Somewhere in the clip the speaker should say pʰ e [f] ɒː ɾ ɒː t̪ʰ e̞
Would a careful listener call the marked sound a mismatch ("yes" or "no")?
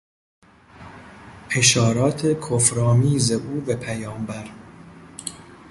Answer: yes